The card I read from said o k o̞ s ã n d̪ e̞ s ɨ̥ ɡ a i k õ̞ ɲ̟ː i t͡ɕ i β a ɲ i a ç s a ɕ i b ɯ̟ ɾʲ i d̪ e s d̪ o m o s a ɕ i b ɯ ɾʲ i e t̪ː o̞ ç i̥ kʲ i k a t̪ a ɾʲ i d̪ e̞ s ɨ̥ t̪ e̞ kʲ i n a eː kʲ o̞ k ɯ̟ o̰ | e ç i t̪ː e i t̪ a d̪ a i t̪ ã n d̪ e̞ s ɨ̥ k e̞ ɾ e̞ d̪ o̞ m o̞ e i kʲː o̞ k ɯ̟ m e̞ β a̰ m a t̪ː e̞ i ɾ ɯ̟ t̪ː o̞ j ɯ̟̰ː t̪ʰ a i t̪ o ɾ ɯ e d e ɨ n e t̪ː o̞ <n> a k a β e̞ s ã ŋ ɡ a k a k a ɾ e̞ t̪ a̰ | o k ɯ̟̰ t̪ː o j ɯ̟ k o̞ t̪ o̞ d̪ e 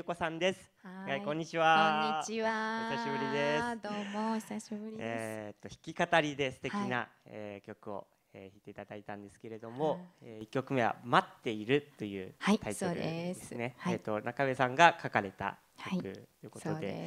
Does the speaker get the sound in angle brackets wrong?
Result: no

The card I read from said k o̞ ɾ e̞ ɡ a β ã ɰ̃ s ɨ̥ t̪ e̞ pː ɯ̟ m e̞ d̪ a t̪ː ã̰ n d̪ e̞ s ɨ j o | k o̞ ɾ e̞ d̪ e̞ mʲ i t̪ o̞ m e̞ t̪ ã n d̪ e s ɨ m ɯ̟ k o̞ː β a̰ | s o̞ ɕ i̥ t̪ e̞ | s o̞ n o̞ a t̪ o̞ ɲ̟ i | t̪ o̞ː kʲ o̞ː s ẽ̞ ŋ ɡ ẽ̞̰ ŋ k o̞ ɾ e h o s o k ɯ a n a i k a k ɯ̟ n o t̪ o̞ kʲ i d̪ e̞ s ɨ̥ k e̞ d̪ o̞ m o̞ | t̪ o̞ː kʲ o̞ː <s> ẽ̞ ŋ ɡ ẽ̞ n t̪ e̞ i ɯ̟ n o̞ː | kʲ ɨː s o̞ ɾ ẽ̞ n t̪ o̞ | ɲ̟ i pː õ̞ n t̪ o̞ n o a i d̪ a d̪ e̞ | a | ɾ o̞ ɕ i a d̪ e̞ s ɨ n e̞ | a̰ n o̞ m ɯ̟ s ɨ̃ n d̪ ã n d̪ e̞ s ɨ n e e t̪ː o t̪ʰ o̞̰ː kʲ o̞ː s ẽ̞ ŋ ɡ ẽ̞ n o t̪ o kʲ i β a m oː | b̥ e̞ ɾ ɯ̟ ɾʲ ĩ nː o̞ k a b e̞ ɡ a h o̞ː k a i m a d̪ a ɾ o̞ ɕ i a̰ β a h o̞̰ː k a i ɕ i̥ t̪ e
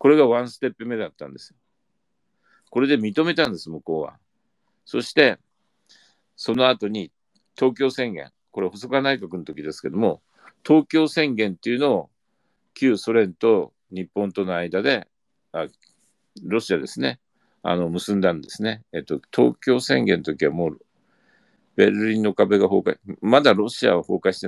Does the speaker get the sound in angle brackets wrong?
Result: no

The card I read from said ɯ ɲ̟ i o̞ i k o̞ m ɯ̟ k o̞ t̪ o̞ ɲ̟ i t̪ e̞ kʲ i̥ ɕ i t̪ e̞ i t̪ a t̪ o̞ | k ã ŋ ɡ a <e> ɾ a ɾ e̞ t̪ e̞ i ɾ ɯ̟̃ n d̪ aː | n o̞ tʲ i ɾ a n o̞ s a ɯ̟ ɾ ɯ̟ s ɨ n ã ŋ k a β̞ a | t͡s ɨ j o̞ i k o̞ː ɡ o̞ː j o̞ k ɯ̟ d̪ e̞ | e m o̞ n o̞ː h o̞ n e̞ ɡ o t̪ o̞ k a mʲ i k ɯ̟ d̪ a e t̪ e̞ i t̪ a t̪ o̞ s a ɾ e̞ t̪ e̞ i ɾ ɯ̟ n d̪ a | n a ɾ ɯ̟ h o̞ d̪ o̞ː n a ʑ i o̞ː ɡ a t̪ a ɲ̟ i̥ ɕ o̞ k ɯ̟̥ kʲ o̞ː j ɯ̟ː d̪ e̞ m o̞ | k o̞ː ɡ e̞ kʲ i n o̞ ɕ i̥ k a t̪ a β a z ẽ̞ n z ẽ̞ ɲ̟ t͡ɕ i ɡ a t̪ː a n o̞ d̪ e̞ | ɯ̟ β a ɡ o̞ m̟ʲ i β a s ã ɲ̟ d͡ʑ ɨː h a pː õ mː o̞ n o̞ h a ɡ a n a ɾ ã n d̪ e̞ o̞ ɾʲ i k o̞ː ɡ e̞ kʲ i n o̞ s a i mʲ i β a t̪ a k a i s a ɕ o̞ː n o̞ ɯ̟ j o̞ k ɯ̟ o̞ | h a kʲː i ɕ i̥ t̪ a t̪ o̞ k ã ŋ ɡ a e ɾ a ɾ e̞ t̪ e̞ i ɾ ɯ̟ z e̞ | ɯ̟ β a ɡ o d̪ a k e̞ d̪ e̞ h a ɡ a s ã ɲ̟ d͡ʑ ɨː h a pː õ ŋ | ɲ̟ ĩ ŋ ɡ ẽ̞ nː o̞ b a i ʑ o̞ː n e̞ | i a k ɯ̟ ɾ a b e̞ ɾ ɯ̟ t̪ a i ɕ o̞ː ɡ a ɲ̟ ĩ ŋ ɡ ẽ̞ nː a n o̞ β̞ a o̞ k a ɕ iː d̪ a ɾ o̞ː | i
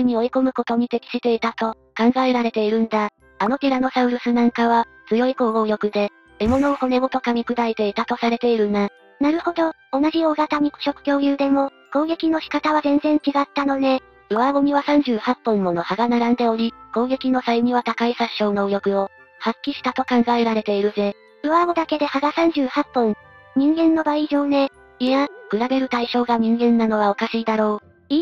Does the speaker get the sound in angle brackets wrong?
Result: no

